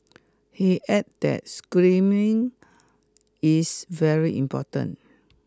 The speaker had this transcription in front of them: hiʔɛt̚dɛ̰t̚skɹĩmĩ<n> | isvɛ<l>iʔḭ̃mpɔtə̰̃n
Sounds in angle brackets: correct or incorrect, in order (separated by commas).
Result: incorrect, incorrect